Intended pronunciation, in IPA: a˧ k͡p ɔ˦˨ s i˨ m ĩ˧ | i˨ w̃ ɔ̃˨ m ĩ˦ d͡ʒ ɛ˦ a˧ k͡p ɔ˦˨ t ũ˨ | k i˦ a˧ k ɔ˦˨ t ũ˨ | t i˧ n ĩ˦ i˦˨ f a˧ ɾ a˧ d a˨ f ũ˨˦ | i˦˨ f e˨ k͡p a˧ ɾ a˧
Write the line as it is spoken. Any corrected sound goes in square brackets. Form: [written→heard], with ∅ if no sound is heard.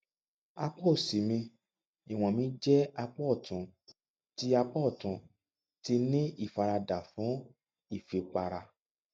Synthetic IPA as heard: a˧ k͡p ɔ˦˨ s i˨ m ĩ˧ | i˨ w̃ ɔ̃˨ m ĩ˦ d͡ʒ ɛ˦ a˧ k͡p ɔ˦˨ t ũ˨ | [k→t] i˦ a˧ [k→k͡p] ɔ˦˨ t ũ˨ | t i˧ n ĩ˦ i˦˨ f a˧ ɾ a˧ d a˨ f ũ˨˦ | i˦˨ f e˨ k͡p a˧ ɾ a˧